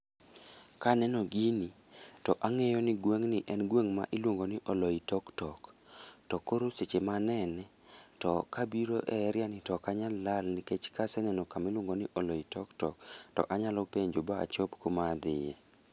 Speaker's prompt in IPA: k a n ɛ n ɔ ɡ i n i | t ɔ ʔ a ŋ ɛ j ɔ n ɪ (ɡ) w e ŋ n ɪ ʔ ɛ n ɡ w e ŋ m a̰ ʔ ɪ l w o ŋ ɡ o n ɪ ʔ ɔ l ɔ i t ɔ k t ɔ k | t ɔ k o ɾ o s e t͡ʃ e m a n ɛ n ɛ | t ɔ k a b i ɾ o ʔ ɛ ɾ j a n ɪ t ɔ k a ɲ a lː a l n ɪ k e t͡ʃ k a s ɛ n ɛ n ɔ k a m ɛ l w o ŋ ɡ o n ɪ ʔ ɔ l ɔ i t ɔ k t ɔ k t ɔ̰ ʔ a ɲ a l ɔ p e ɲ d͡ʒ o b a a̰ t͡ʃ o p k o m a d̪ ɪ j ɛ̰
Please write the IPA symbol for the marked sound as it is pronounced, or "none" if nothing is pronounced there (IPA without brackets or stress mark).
ɡ